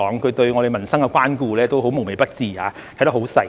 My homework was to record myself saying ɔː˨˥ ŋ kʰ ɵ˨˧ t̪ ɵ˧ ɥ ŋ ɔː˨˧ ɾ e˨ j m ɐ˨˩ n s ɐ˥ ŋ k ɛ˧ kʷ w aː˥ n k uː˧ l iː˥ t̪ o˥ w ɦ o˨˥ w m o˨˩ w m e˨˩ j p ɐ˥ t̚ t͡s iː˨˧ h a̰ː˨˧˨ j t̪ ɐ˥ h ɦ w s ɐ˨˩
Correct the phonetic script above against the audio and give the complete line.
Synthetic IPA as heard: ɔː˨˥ ŋ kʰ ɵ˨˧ t̪ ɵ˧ ɥ ŋ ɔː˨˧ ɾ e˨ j m ɐ˨˩ n s ɐ˥ ŋ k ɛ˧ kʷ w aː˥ n k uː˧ l ɛː˥ t̪ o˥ w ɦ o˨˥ w m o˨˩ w m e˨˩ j p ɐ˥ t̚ t͡s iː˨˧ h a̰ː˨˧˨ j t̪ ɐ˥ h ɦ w s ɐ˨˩